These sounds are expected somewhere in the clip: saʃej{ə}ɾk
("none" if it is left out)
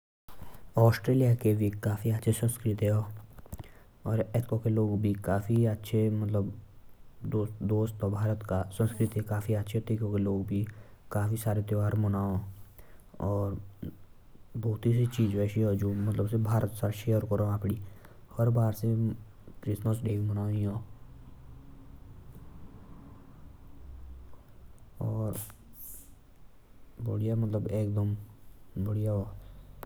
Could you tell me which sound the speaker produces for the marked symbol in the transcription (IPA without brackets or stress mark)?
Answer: ə